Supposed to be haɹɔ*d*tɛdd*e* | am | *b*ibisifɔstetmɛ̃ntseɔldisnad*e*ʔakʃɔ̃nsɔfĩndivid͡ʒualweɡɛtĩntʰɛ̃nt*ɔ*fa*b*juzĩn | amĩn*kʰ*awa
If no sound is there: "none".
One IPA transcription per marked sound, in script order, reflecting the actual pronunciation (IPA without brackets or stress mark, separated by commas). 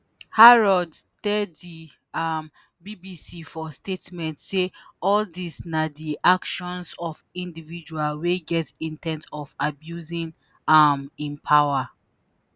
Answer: d, i, b, i, ɔ, b, pʰ